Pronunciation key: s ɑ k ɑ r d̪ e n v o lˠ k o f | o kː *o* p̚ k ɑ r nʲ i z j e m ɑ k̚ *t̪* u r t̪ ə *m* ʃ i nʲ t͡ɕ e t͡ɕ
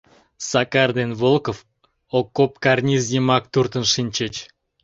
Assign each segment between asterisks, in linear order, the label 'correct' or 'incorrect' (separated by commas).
correct, correct, incorrect